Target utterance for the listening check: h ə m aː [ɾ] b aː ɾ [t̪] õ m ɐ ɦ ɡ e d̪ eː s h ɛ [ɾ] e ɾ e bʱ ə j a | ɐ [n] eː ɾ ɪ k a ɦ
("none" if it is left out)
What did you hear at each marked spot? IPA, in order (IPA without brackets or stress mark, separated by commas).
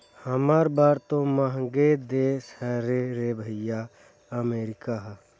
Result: ɾ, t̪, ɾ, m